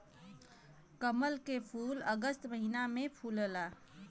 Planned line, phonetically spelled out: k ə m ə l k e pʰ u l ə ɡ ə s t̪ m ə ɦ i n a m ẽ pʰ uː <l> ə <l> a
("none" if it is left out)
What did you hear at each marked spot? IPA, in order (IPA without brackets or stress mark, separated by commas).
l, l